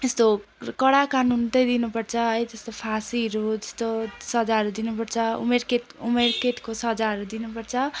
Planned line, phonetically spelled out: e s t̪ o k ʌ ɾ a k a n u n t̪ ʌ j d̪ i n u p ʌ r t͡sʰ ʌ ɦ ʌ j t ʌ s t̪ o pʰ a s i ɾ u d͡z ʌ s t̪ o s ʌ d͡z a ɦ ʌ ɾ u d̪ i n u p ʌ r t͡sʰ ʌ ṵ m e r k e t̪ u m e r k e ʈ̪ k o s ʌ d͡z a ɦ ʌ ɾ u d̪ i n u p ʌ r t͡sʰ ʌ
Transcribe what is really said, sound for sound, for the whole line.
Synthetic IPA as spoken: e s t̪ o k ʌ ɽ a k a n u n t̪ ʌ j d̪ i n u p ʌ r t͡sʰ ʌ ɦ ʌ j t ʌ s t̪ o pʰ a s i ɾ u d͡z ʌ s t̪ o s ʌ d͡z a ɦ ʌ ɾ u d̪ i n u p ʌ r t͡sʰ ʌ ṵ m e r k e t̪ u m e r k e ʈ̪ k o s ʌ d͡z a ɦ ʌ ɾ u d̪ i n u p ʌ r t͡sʰ ʌ

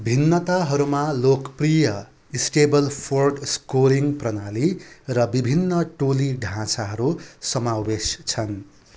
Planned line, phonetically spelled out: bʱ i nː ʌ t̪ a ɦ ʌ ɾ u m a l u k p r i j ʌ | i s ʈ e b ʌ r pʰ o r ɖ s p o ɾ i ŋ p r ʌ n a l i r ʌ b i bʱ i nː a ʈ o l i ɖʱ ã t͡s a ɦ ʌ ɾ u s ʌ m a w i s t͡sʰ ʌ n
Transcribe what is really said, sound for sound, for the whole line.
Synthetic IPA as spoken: bʱ i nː ʌ t̪ a ɦ ʌ ɾ u m a l o k p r i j ʌ | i s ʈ e b ʌ l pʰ o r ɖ s k o ɾ i ŋ p r ʌ n a l i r ʌ b i bʱ i nː ʌ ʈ o l i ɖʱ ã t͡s a ɦ ʌ ɾ u s ʌ m a w e s t͡sʰ ʌ n

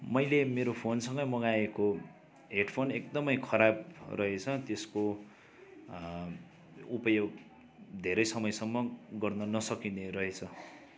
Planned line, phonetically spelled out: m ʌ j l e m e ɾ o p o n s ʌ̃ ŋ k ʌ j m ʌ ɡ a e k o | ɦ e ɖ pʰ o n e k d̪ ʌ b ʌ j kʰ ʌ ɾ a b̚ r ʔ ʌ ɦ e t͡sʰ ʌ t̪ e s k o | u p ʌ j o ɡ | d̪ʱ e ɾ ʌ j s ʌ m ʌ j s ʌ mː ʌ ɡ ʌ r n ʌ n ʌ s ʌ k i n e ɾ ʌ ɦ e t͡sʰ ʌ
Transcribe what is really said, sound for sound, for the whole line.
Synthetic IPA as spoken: m ʌ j l e m e ɾ o pʰ o n s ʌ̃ ŋ ɡ ʌ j m ʌ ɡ a e k o | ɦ e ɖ pʰ o n e k d̪ ʌ m ʌ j kʰ ʌ ɾ a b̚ r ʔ ʌ ɦ e t͡sʰ ʌ t̪ e s k o | u p ʌ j o ɡ | d̪ʱ e ɾ ʌ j s ʌ m ʌ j s ʌ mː ʌ ɡ ʌ r n ʌ n ʌ s ʌ k i n e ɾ ʌ ɦ e t͡sʰ ʌ

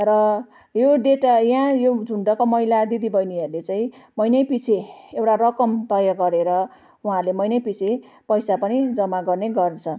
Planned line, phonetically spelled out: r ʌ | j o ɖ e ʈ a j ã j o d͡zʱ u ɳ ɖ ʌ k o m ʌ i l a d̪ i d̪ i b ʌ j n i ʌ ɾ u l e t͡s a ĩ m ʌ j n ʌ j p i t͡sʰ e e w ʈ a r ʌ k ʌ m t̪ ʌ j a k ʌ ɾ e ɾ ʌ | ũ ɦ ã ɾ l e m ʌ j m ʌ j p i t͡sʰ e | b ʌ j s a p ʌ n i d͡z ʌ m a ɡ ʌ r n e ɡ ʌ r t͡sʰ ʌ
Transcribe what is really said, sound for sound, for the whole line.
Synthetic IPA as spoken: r ʌ | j o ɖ e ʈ a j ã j o d͡zʱ u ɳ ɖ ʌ k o m ʌ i l a d̪ i d̪ i b ʌ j n i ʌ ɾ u l e t͡s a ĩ m ʌ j n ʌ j p i t͡sʰ e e w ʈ a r ʌ k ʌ m t̪ ʌ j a ɡ ʌ ɾ e ɾ ʌ | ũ ɦ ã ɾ l e m ʌ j n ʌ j p i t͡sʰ e | p ʌ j s a p ʌ n i d͡z ʌ m a ɡ ʌ r n e ɡ ʌ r t͡sʰ ʌ

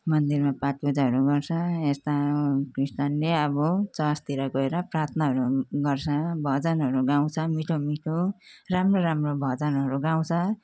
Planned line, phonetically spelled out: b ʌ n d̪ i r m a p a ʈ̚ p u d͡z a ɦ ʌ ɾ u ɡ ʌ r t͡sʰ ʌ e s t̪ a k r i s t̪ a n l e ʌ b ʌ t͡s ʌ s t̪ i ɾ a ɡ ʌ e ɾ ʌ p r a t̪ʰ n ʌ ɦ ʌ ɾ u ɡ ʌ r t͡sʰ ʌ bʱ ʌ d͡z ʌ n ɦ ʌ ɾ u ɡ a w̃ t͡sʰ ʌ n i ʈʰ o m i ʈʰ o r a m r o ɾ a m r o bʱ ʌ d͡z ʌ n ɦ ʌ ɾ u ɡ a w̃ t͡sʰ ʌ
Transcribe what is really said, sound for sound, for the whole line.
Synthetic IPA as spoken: m ʌ n d̪ i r m a p a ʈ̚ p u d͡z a ɦ ʌ ɾ u ɡ ʌ r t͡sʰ ʌ e s t̪ a k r i s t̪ a n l e ʌ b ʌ t͡s ʌ s t̪ i ɾ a ɡ ʌ e ɾ ʌ p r a t̪ʰ n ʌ ɦ ʌ ɾ u ɡ ʌ r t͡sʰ ʌ bʱ ʌ d͡z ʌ n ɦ ʌ ɾ u ɡ a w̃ t͡sʰ ʌ m i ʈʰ o m i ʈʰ o r a m r o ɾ a m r o bʱ ʌ d͡z ʌ n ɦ ʌ ɾ u ɡ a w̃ t͡sʰ ʌ

